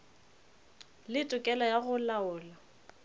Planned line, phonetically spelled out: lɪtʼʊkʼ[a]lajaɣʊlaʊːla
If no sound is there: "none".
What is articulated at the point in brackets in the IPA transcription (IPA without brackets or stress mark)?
ɛ